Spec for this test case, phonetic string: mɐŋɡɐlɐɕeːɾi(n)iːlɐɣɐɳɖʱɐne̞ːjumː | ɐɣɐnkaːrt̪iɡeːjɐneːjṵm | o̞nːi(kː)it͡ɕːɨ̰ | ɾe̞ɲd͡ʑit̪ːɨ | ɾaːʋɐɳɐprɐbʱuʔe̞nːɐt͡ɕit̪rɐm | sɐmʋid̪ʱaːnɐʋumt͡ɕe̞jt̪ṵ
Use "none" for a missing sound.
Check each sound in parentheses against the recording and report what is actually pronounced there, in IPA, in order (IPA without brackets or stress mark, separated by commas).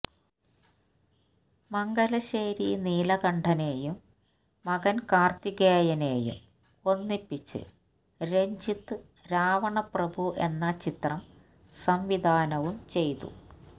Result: n, pː